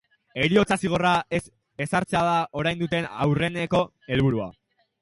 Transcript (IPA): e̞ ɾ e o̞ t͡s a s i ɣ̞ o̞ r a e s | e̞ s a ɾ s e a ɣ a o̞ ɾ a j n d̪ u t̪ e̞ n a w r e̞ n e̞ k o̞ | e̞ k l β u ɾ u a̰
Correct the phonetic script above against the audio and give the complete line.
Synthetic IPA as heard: e̞ ɾ i o̞ t͡s a s i ɣ̞ o̞ r a e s | e̞ s a ɾ t͡s e a ð a o̞ ɾ a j n d̪ u t̪ e̞ n a w r e̞ n e̞ k o̞ | e̞ l β u ɾ u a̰